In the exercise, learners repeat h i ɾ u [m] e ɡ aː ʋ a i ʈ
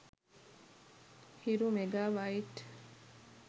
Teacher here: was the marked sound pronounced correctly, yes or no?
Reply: yes